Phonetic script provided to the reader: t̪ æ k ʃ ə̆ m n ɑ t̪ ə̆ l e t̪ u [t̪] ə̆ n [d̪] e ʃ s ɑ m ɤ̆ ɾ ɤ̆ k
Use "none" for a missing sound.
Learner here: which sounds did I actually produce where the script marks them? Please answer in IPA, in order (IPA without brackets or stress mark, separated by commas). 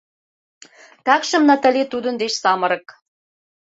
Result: d̪, d̪